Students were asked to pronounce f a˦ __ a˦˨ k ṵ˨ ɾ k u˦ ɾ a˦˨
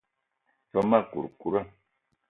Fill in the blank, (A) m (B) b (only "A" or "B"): A